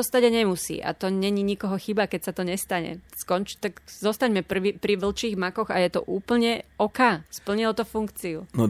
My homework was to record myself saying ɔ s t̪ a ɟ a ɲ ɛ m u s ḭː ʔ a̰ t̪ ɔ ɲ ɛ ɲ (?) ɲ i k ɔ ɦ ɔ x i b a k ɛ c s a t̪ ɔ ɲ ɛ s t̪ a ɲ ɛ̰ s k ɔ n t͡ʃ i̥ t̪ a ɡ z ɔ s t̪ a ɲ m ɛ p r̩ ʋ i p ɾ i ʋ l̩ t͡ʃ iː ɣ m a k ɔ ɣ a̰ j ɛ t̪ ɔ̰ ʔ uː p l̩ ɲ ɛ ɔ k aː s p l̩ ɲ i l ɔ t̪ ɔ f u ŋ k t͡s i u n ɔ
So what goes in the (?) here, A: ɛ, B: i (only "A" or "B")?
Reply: B